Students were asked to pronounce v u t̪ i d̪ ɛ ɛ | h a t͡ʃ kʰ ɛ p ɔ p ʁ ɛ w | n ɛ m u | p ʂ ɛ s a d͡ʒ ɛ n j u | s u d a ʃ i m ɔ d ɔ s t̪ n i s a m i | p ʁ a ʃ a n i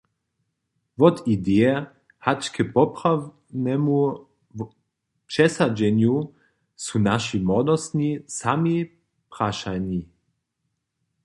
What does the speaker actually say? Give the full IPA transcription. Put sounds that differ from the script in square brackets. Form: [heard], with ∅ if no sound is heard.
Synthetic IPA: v [ɔ] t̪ i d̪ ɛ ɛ | h a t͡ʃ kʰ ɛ p ɔ p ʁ [a] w | n ɛ m u | p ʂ ɛ s a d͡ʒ ɛ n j u | s u [n] a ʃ i m ɔ d ɔ s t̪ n i s a m i | p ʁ a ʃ a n i

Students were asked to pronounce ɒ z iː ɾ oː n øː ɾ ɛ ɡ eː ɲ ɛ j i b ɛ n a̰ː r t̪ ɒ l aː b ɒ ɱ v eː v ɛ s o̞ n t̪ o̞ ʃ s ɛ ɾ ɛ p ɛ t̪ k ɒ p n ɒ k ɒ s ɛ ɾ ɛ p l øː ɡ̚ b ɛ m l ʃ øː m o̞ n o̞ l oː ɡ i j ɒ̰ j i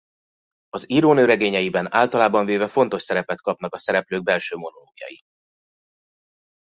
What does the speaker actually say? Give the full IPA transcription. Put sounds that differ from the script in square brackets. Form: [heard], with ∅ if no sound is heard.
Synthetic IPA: ɒ z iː ɾ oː n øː ɾ ɛ ɡ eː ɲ ɛ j i b ɛ n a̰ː [l] t̪ ɒ l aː b ɒ ɱ v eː v ɛ [f] o̞ n t̪ o̞ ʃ s ɛ ɾ ɛ p ɛ t̪ k ɒ p n ɒ k ɒ s ɛ ɾ ɛ p l øː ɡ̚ b ɛ [∅] l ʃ øː m o̞ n o̞ l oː ɡ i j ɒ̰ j i

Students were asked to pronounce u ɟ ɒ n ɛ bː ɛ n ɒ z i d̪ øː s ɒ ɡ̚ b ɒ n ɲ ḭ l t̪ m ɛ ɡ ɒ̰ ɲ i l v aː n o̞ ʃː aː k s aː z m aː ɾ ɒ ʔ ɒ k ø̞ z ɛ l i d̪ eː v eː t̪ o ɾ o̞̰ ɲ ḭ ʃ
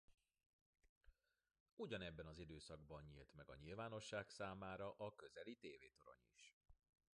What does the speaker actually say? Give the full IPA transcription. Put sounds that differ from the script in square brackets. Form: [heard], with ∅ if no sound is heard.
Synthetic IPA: u ɟ ɒ n ɛ bː ɛ n ɒ z i d̪ øː s ɒ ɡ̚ b ɒ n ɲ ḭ l t̪ m ɛ ɡ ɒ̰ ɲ i l v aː n o̞ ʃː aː k s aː [∅] m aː ɾ ɒ ʔ ɒ k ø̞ z ɛ l i [t̪] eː v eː t̪ o ɾ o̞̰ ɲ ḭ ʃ

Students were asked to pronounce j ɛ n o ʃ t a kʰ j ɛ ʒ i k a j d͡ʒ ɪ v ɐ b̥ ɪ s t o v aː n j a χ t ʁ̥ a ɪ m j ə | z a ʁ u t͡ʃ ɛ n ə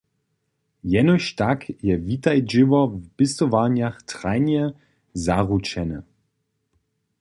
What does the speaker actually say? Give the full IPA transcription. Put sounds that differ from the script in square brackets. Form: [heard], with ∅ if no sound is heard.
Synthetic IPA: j ɛ n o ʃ t a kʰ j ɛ [v] i [t] a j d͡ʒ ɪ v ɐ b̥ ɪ s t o v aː n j a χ t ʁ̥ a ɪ [n] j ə | z a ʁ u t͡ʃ ɛ n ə

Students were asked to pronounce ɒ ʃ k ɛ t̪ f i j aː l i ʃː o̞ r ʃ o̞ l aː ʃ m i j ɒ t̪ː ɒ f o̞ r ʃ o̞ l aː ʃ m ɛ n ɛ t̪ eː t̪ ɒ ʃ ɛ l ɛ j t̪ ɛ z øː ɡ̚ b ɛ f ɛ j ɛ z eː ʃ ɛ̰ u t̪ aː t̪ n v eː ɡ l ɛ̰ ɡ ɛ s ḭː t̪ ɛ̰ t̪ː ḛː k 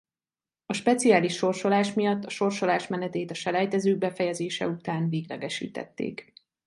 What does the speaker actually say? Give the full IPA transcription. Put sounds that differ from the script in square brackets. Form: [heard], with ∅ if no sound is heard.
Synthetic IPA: ɒ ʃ [p] ɛ t̪ [s] i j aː l i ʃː o̞ r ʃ o̞ l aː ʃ m i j ɒ t̪ː ɒ [ʃ] o̞ r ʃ o̞ l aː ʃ m ɛ n ɛ t̪ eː t̪ ɒ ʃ ɛ l ɛ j t̪ ɛ z øː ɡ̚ b ɛ f ɛ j ɛ z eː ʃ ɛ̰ u t̪ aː [∅] n v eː ɡ l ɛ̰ ɡ ɛ [ʃ] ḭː t̪ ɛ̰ t̪ː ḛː k

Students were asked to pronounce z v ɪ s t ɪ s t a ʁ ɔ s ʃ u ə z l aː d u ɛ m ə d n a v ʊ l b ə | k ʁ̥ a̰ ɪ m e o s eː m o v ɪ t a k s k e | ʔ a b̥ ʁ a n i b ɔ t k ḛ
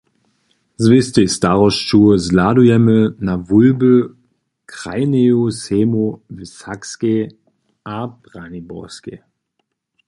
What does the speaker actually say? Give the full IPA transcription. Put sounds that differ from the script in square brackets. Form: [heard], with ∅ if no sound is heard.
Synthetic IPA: z v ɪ s t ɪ s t a ʁ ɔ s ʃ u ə z l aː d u ɛ m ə [∅] n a v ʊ l b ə | k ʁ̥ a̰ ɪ [n] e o s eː m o v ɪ [s] a k s k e | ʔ a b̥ ʁ a n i b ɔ [s] k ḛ

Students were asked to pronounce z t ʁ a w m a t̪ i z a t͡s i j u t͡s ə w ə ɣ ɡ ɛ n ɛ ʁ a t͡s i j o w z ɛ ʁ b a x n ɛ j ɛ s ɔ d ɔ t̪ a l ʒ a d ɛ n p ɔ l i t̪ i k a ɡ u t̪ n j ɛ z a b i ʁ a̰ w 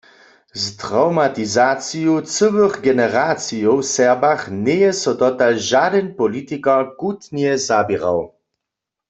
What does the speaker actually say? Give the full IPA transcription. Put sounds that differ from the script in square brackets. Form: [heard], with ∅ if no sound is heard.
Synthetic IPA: z t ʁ a w m a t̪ i z a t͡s i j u t͡s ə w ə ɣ ɡ ɛ n ɛ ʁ a t͡s i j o w [s] ɛ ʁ b a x n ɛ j ɛ s ɔ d ɔ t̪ a l ʒ a d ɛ n p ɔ l i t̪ i k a [k] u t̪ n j ɛ z a b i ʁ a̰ w

